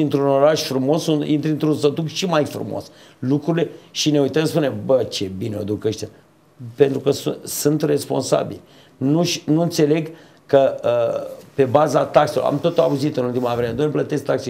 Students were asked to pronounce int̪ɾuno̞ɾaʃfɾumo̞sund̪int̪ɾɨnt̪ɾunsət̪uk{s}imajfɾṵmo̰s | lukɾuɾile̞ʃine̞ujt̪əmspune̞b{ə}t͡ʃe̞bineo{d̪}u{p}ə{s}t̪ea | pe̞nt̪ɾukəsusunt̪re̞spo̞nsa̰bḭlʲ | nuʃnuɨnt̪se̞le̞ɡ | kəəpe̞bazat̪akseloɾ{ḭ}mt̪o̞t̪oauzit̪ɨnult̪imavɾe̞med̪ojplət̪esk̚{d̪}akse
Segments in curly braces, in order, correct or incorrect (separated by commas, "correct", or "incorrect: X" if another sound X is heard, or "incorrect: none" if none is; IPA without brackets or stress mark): incorrect: ʃ, correct, correct, incorrect: k, incorrect: ʃ, incorrect: a̰, incorrect: t̪